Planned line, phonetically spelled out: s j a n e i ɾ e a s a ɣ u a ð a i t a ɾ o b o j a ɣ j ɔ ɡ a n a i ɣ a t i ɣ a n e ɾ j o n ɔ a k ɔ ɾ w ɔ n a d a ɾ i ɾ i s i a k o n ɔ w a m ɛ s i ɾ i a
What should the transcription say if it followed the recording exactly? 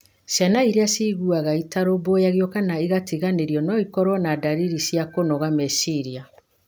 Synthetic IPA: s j a n a i ɾ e a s i ɣ u a ɣ a i t a ɾ o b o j a ɣ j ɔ k a n a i ɣ a t i ɣ a n e ɾ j ɔ n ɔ i k ɔ ɾ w ɔ n a d a ɾ i ɾ i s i a k o n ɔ ɣ a m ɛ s i ɾ i a